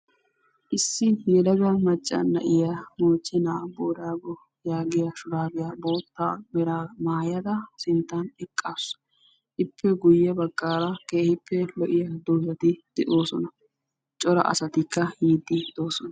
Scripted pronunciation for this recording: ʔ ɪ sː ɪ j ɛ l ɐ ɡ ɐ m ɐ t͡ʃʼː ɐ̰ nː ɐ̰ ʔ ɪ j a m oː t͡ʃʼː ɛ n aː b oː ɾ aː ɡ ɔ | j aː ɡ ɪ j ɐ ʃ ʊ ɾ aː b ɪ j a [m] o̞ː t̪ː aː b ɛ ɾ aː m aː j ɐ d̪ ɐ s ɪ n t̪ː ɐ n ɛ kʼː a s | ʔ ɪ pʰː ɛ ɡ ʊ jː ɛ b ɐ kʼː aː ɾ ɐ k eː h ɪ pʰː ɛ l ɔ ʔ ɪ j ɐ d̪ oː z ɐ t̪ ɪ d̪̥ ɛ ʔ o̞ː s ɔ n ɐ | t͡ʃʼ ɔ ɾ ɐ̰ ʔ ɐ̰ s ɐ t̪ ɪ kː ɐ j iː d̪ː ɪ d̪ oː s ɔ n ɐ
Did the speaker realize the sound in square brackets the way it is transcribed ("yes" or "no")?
no